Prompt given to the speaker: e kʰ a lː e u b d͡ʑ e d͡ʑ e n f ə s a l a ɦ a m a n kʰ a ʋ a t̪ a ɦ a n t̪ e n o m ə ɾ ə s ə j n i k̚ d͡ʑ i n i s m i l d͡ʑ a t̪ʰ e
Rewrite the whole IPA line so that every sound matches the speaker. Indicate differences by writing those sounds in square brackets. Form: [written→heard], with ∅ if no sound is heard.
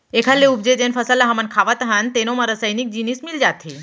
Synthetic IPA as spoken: e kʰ a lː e u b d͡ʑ e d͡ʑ e n f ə s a l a ɦ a m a n kʰ a ʋ a t̪ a ɦ a n t̪ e n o m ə ɾ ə s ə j n i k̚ d͡ʑ i n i s m i l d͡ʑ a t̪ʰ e

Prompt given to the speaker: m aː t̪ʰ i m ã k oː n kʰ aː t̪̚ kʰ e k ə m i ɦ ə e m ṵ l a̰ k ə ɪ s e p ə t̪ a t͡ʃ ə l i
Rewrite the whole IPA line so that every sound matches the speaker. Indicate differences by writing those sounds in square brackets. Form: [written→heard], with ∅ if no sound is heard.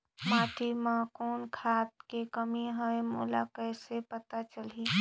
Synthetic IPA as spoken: m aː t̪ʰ i m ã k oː n kʰ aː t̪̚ [kʰ→k] e k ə m i ɦ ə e m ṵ l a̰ k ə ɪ s e p ə t̪ a t͡ʃ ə l i

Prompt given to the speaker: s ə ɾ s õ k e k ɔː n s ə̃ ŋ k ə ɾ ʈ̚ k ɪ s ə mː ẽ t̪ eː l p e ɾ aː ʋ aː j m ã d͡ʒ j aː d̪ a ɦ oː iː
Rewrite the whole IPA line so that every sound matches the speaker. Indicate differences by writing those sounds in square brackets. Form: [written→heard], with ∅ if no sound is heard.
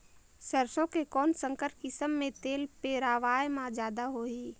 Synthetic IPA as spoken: s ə ɾ s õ k e k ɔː n s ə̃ ŋ k ə ɾ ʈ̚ k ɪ s ə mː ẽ t̪ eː l p e ɾ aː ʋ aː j m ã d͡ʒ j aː d̪ a ɦ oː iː

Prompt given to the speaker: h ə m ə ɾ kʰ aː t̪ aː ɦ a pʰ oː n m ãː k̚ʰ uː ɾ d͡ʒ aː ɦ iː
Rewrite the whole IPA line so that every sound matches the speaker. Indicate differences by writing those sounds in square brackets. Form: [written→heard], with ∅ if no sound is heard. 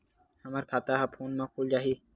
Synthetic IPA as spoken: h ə m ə ɾ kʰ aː t̪ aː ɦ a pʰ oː n m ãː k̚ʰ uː [ɾ→l] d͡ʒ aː ɦ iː

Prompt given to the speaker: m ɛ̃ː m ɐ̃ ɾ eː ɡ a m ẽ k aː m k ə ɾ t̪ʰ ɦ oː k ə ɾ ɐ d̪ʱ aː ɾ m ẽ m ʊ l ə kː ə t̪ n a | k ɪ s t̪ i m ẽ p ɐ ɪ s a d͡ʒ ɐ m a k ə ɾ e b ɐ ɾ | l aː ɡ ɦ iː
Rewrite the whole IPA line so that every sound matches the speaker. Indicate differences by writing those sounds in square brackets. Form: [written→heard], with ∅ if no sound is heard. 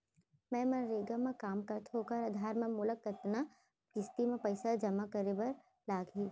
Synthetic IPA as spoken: m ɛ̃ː m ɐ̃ ɾ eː ɡ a m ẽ k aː m k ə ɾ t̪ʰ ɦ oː k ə ɾ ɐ d̪ʱ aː ɾ m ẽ m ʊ l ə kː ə t̪ n a | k ɪ s t̪ i m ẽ p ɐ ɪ s a d͡ʒ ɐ m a k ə ɾ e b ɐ ɾ | l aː ɡ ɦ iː

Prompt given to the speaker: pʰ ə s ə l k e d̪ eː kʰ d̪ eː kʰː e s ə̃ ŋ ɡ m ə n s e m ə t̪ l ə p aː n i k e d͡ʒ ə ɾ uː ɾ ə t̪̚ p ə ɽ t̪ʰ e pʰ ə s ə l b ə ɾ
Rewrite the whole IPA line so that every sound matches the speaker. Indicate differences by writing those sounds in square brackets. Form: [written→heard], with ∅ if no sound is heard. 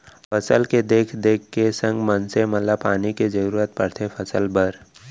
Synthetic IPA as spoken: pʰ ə s ə l k e d̪ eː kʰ d̪ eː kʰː e s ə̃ ŋ ɡ m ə n s e m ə t̪ l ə p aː n i k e d͡ʒ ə ɾ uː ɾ ə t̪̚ p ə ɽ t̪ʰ e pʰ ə s ə l b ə ɾ

